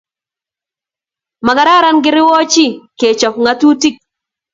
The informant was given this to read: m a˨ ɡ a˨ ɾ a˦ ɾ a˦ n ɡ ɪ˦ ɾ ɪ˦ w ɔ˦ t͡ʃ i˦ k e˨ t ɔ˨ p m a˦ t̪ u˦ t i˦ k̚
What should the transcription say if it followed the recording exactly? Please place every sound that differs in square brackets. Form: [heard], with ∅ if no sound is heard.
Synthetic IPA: m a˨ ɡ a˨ ɾ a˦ ɾ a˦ n ɡ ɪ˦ ɾ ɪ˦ w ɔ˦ t͡ʃ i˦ k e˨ [t͡ʃ] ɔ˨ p [ŋ] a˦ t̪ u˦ t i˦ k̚